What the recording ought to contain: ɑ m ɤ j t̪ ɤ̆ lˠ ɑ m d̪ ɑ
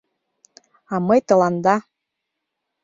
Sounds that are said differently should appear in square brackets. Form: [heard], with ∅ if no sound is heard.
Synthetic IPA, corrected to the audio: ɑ m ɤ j t̪ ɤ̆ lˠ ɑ [n] d̪ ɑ